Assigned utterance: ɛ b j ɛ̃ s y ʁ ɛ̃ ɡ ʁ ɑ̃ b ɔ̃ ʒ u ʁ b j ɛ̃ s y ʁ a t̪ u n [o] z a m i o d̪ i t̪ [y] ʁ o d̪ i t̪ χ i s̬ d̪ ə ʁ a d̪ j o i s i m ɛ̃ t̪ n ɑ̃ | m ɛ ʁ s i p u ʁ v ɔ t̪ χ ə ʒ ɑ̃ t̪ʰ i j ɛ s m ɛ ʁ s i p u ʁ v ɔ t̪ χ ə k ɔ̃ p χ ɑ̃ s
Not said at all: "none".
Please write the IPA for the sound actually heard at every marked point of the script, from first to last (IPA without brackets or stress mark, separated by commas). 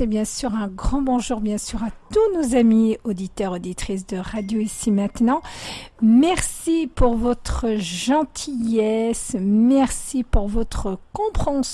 o, œ